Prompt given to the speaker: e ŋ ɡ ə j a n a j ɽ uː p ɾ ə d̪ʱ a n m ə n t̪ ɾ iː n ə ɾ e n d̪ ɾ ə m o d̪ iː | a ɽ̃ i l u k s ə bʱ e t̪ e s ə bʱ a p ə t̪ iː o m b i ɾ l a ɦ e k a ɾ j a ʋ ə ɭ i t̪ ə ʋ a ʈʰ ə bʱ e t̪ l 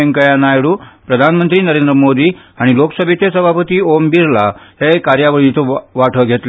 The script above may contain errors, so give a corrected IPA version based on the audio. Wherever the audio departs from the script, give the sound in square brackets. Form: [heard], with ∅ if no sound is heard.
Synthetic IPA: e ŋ [k] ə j a n a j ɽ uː p ɾ ə d̪ʱ a n m ə n t̪ ɾ iː n ə ɾ e n d̪ ɾ ə m o d̪ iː | a ɽ̃ i l [o] k s ə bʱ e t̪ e s ə bʱ a p ə t̪ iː o m b i ɾ l a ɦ e k a ɾ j a ʋ ə ɭ i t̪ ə ʋ a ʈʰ ə [ɡʱ] e t̪ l

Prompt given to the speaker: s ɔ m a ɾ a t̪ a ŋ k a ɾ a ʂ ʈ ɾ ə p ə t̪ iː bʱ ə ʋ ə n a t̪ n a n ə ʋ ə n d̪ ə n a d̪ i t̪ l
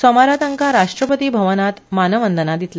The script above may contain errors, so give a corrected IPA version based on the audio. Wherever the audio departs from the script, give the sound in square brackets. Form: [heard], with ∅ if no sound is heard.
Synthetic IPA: s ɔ m a ɾ a t̪ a ŋ k a ɾ a ʂ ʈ ɾ ə p ə t̪ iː bʱ ə ʋ ə n a t̪ [m] a n ə ʋ ə n d̪ ə n a d̪ i t̪ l

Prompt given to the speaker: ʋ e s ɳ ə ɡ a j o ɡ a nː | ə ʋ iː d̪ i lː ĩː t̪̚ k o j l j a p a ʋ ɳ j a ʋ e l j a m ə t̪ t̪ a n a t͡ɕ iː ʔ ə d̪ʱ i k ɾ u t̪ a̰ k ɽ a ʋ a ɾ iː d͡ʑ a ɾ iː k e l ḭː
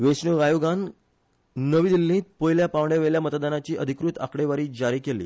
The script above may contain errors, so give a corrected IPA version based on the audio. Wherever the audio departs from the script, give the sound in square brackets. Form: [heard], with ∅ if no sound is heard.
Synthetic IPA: ʋ e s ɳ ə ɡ a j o ɡ a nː | ə ʋ iː d̪ i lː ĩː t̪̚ [p] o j l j a p a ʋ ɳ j a ʋ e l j a m ə t̪ [d̪] a n a t͡ɕ iː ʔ ə d̪ʱ i k ɾ u t̪ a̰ k ɽ [e] ʋ a ɾ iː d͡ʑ a ɾ iː k e l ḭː

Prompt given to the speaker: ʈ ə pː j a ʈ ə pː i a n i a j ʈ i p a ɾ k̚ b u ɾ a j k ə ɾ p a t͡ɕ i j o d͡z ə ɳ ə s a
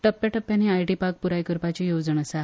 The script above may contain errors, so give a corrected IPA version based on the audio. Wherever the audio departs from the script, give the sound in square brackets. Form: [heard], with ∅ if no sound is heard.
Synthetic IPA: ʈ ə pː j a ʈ ə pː [j] a n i a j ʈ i p a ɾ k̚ [p] u ɾ a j k ə ɾ p a t͡ɕ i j o d͡z ə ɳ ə s a

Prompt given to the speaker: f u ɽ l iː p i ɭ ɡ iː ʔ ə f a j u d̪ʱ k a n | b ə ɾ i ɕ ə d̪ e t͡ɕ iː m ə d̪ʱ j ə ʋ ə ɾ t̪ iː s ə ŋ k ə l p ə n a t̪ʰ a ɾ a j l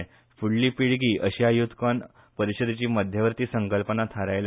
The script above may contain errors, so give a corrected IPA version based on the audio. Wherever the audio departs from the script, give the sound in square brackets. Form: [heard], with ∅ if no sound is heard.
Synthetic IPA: f u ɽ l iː p i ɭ ɡ iː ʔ ə [ɕ] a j u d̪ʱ k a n | [p] ə ɾ i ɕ ə d̪ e t͡ɕ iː m ə d̪ʱ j ə ʋ ə ɾ t̪ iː s ə ŋ k ə l p ə n a t̪ʰ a ɾ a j l

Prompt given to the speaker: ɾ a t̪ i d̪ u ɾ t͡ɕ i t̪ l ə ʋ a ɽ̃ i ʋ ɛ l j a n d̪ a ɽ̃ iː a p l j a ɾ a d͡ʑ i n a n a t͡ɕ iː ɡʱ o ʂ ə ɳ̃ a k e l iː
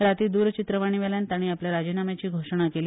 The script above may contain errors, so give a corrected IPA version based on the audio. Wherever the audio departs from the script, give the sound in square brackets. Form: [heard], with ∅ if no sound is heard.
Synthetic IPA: ɾ a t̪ i d̪ u ɾ t͡ɕ i t̪ [ɾ] ə ʋ a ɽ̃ i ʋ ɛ l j a n [t̪] a ɽ̃ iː a p l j a ɾ a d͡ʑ i n a [m] a t͡ɕ iː ɡʱ o ʂ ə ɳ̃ a k e l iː

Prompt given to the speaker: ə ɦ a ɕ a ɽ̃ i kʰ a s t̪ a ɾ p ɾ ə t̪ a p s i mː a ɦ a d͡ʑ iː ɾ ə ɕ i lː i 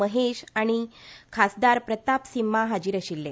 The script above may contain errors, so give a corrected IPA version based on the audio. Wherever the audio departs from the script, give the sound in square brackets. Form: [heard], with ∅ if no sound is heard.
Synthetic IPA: ə ɦ [e] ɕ a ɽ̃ i kʰ a s [d̪] a ɾ p ɾ ə t̪ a p s i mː a ɦ a d͡ʑ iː ɾ ə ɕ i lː [e]

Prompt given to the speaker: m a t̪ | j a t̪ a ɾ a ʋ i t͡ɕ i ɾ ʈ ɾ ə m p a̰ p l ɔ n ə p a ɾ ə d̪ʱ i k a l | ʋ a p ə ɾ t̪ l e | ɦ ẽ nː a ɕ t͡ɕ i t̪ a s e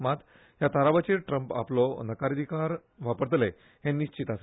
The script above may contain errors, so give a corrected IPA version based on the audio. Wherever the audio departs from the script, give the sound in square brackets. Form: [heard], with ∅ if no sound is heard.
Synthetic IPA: m a t̪ | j a t̪ a ɾ a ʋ [a] t͡ɕ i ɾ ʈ ɾ ə m p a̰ p l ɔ n ə [k] a ɾ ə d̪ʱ i k a [ɾ] | ʋ a p ə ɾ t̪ l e | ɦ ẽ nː [i] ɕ t͡ɕ i t̪ a s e

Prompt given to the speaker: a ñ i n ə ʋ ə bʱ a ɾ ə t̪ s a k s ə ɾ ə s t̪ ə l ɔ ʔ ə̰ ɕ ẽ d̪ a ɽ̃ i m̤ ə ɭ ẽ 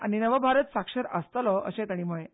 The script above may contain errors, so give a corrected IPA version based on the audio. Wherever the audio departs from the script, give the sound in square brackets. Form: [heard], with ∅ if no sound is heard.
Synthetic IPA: a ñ i n ə ʋ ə bʱ a ɾ ə t̪ s a k [ʂ] ə ɾ ə s t̪ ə l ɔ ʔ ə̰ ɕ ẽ [t̪] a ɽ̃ i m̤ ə ɭ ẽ

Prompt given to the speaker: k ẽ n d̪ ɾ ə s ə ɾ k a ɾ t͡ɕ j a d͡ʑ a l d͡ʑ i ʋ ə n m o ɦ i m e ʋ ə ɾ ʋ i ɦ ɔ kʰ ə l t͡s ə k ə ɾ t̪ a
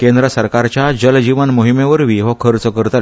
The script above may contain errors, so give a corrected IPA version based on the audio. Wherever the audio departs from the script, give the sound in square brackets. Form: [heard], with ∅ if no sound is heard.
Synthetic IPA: k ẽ n d̪ ɾ ə s ə ɾ k a ɾ t͡ɕ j a d͡ʑ [ə] l d͡ʑ i ʋ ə n m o ɦ i m e ʋ ə ɾ ʋ i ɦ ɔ kʰ ə [ɾ] t͡s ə k ə ɾ t̪ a

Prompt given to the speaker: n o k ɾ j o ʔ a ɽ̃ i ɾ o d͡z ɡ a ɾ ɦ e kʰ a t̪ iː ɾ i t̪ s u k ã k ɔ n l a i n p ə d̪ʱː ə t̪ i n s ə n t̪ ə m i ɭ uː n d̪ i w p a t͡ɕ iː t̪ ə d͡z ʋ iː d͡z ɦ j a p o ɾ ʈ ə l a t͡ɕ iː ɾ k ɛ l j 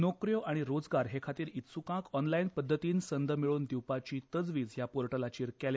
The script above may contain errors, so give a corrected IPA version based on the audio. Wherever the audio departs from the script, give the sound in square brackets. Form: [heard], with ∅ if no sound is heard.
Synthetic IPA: n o k ɾ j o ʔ a ɽ̃ i ɾ o d͡z ɡ a ɾ ɦ e kʰ a t̪ iː ɾ i t̪ s u k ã k ɔ n l a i n p ə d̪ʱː ə t̪ [iː] n s ə n [d̪] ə m i ɭ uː n d̪ i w p a t͡ɕ iː t̪ ə d͡z ʋ iː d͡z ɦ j a p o ɾ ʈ ə l a t͡ɕ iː ɾ k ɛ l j

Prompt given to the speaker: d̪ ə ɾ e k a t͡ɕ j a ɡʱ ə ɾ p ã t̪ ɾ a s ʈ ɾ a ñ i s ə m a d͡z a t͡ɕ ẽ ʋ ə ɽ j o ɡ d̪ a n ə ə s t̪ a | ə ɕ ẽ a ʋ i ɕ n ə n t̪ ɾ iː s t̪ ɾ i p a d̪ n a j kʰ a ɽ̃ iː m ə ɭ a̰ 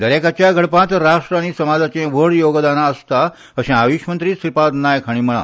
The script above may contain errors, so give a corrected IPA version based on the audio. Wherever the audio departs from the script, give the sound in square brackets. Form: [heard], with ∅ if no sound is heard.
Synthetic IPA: d̪ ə ɾ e k a t͡ɕ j a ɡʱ ə [ɽ] p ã t̪ ɾ a [ʂ] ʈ ɾ a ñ i s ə m a d͡z a t͡ɕ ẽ ʋ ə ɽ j o ɡ d̪ a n [a] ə s t̪ a | ə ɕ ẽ a ʋ i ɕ [m] ə n t̪ ɾ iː s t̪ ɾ i p a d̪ n a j kʰ a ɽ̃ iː m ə ɭ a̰

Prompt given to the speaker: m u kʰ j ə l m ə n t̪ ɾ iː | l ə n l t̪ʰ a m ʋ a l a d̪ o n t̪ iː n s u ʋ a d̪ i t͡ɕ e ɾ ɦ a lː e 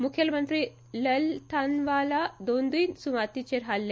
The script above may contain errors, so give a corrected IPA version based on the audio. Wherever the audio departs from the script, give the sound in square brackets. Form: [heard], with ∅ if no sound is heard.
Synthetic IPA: m u kʰ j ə l m ə n t̪ ɾ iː | l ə [∅] l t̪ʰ a [n] ʋ a l a d̪ o n [d̪] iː n s u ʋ a [t̪] i t͡ɕ e ɾ ɦ a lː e

